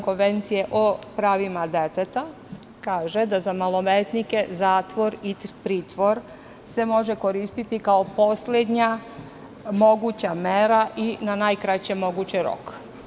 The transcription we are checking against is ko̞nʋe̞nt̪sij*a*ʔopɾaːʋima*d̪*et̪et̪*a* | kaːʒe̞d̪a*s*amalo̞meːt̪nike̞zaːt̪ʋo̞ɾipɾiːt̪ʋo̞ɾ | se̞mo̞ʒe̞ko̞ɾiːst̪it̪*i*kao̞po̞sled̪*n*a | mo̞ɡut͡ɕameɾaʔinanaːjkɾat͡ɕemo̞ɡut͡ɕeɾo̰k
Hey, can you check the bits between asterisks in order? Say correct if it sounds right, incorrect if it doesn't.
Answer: incorrect, correct, correct, incorrect, correct, incorrect

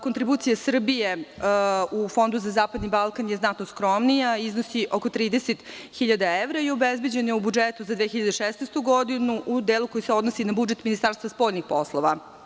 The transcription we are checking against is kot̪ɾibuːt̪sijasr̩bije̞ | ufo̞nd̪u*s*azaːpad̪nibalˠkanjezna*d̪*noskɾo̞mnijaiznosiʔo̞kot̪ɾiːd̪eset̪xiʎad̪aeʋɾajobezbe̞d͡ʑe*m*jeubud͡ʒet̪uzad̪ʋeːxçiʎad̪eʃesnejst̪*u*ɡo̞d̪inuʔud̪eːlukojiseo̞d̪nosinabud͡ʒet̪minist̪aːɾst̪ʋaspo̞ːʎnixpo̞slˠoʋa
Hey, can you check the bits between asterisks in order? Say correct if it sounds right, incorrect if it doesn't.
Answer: incorrect, incorrect, incorrect, correct

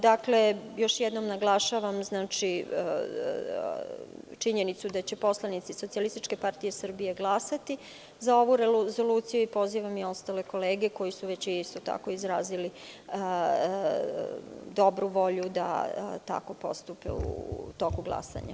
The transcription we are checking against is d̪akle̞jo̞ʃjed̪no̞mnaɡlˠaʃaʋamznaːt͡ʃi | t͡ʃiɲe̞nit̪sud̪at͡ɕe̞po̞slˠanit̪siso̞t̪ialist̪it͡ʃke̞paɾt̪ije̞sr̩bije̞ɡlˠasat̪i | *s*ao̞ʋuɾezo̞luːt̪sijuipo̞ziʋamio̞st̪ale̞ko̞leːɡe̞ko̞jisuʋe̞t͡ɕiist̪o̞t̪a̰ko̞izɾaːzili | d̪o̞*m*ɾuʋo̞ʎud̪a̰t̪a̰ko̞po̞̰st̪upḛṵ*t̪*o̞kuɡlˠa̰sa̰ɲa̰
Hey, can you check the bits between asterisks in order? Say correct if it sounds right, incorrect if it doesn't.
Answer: incorrect, incorrect, correct

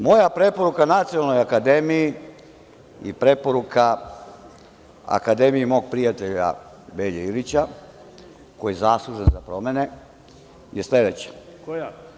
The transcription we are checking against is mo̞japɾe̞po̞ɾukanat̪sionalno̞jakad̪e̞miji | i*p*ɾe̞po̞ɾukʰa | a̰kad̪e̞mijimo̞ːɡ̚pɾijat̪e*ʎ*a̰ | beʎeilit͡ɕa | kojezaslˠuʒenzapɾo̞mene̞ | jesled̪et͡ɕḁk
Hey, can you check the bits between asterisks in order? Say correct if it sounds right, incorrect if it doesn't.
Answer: correct, correct

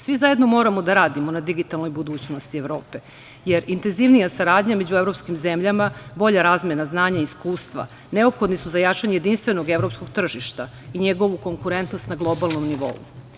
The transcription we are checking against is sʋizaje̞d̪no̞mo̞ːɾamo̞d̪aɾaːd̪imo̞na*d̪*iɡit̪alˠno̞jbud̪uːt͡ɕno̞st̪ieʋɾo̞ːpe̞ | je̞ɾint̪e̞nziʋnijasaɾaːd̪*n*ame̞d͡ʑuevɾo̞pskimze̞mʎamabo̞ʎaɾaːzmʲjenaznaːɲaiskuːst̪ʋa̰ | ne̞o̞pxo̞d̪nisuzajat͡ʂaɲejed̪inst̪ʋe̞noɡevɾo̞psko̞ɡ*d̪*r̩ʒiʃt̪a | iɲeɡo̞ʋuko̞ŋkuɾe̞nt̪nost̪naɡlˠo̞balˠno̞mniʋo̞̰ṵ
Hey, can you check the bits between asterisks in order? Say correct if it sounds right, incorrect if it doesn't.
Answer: correct, incorrect, incorrect

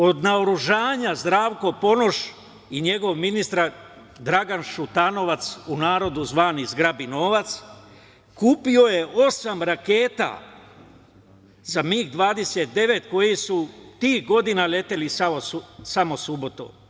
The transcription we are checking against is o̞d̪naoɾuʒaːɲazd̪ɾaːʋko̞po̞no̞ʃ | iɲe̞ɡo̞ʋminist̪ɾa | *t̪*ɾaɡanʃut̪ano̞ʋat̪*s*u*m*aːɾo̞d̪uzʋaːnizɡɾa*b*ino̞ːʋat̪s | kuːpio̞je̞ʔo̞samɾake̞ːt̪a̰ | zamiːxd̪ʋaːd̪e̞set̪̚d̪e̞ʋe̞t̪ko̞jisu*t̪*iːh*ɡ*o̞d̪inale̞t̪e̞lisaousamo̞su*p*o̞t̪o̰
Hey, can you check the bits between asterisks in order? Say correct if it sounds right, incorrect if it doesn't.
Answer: incorrect, correct, incorrect, correct, correct, correct, incorrect

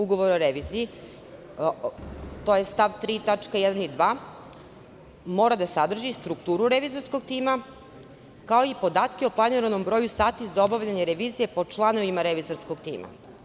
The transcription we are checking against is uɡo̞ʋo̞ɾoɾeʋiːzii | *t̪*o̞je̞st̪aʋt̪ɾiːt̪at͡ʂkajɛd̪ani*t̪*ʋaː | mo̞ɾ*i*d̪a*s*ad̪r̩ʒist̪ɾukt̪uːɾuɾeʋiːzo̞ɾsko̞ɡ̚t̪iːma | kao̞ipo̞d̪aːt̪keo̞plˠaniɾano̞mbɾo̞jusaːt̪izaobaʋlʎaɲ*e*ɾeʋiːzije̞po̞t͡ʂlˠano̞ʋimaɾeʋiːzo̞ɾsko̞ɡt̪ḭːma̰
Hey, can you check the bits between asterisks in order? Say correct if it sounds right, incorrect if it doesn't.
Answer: correct, incorrect, incorrect, correct, correct

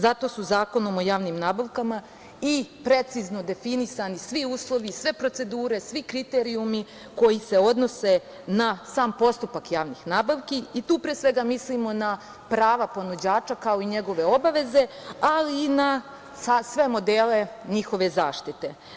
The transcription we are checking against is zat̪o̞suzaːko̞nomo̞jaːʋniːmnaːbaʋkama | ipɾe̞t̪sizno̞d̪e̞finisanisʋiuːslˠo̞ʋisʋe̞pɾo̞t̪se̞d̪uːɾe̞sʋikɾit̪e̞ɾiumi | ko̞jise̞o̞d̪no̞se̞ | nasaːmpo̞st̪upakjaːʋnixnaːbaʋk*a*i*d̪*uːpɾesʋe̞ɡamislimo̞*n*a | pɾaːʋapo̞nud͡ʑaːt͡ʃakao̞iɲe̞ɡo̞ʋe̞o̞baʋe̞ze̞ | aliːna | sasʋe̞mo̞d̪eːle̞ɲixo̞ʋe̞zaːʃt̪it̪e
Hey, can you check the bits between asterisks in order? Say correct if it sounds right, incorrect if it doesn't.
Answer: incorrect, incorrect, correct

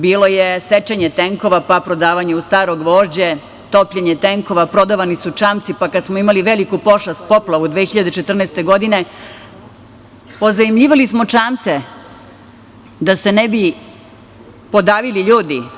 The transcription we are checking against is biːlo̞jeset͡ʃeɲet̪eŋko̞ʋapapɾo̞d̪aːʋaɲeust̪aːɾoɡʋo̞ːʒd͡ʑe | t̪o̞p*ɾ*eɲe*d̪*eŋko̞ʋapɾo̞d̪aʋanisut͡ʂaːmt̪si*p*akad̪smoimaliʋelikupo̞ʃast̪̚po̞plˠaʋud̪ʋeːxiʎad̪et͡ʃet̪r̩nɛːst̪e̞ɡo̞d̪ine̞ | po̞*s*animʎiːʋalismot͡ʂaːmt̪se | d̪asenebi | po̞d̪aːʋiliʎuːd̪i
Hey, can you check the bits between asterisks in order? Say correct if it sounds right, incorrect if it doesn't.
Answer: incorrect, incorrect, correct, incorrect

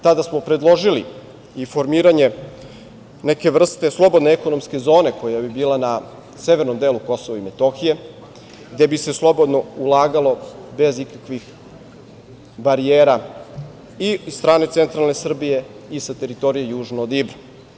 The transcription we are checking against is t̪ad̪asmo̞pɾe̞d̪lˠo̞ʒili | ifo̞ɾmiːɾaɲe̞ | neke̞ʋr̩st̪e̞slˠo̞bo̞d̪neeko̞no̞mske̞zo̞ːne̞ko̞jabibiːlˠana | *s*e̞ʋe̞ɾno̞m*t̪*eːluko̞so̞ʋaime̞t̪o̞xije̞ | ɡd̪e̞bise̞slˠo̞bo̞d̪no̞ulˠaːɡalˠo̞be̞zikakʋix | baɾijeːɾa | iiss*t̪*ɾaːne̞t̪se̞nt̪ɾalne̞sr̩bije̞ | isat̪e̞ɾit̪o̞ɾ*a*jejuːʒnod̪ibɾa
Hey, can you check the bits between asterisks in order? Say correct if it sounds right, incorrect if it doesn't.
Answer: correct, incorrect, correct, incorrect

